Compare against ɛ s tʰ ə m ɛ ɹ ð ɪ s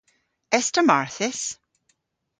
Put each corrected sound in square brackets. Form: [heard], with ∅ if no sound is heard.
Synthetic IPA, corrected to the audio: ɛ s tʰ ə m [a] ɹ [θ] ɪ s

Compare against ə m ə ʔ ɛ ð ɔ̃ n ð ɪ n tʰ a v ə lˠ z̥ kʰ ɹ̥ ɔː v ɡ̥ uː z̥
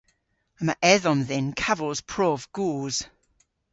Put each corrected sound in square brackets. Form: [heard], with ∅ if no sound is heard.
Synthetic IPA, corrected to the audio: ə m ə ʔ ɛ ð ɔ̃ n ð ɪ n [kʰ] a v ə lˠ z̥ [pʰ] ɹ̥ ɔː v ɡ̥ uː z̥

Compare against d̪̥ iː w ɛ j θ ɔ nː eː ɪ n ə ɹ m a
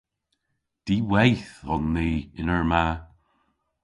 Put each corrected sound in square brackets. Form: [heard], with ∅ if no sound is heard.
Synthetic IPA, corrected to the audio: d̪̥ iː w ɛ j θ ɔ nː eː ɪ n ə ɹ m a

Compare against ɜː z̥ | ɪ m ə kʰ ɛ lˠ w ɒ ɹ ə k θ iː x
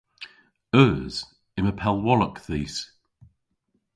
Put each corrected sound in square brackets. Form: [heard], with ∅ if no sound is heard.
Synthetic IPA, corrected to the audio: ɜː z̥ | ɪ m ə [pʰ] ɛ lˠ w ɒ [l] ə k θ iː [s]

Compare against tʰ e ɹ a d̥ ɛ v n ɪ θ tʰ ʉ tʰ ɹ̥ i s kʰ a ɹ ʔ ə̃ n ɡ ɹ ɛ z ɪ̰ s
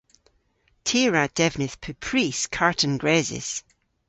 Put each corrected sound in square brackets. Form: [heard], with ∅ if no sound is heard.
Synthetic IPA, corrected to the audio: tʰ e ɹ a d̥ ɛ v n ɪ θ [pʰ] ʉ [pʰ] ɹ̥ i s kʰ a ɹ ʔ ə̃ n ɡ ɹ ɛ z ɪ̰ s

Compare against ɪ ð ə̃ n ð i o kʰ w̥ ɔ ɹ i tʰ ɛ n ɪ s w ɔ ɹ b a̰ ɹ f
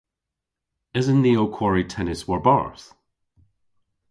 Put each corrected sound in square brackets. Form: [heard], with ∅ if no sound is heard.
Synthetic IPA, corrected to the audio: ɪ [z] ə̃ n ð i o kʰ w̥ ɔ ɹ i tʰ ɛ n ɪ s w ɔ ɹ b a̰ ɹ [θ]

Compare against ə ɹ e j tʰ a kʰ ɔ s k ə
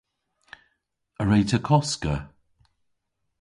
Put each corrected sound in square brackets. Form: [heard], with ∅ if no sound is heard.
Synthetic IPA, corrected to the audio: ə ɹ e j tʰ [ə] kʰ ɔ s k ə

